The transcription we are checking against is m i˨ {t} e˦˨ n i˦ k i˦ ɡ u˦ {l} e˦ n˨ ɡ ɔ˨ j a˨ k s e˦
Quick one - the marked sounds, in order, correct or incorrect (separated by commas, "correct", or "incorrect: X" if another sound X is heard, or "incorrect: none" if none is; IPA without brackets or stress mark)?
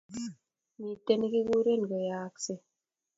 correct, incorrect: ɾ